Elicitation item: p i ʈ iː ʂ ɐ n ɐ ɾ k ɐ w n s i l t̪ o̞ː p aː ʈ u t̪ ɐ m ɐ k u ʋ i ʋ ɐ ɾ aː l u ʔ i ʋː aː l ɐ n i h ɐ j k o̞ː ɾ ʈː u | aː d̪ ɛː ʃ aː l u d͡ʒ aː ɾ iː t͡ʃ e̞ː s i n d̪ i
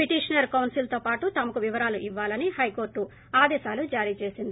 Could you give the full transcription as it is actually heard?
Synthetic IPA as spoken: p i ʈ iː ʂ ɐ n ɐ ɾ k ɐ w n s i l t̪ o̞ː p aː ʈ u t̪ ɐ m ɐ k u ʋ i ʋ ɐ ɾ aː l u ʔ i ʋː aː l ɐ n i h ɐ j k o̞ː ɾ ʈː u | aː d̪ ɛː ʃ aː l u d͡ʒ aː ɾ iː t͡ʃ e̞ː s i n d̪ i